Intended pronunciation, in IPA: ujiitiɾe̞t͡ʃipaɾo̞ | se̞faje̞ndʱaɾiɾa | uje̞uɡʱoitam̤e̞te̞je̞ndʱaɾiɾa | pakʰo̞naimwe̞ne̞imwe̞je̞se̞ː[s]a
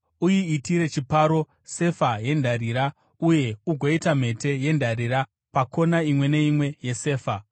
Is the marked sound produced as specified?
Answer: no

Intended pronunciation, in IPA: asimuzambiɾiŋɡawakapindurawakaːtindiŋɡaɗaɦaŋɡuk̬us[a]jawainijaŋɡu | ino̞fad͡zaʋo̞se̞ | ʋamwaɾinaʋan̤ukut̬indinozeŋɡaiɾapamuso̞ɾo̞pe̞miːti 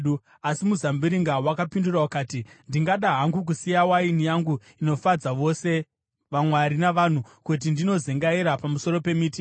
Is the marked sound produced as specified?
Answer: no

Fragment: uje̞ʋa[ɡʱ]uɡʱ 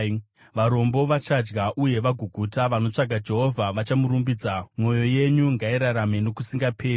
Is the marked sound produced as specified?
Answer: yes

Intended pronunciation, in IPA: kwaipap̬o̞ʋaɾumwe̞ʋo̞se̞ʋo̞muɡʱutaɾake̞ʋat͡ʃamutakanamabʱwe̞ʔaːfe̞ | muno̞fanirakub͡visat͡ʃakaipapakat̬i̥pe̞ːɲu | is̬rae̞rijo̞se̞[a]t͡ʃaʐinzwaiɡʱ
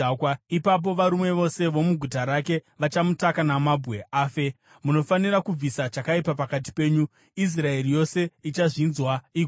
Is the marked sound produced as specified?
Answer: no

